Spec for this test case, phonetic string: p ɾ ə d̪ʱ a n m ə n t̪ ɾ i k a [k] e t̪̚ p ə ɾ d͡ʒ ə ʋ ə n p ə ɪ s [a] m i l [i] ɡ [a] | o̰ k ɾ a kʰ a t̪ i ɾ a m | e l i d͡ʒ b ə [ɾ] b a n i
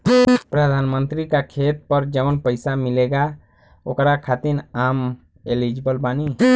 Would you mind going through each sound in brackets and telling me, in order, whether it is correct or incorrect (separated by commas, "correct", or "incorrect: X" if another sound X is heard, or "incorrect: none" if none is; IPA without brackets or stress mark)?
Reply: incorrect: kʰ, correct, incorrect: e, correct, incorrect: l